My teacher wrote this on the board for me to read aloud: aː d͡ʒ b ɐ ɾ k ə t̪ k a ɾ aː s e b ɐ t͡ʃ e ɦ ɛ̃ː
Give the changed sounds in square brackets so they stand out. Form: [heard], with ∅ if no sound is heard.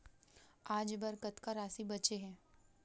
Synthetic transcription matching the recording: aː d͡ʒ b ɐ ɾ k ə t̪ k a ɾ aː s [i] b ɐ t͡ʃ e ɦ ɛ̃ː